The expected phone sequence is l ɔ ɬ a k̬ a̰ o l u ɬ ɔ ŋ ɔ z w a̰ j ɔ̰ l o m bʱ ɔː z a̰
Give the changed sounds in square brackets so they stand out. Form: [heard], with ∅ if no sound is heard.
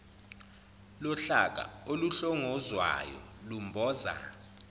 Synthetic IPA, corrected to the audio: l ɔ ɬ a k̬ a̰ o l u ɬ ɔ ŋ ɔ z w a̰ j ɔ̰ l [u] m bʱ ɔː z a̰